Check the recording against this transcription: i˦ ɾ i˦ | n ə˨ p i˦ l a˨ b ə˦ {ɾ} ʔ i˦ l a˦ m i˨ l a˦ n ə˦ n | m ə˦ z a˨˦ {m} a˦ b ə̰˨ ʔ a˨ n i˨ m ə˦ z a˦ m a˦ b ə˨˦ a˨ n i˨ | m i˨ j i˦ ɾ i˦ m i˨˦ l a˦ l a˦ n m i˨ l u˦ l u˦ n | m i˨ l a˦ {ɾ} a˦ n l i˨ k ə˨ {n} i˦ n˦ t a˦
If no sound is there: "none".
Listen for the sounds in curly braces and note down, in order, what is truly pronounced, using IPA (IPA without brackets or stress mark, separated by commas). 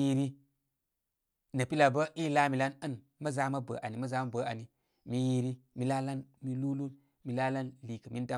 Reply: none, m, l, m